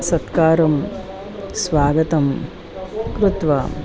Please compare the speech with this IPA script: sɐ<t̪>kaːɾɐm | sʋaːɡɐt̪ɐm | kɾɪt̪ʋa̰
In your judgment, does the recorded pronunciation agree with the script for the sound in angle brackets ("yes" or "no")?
yes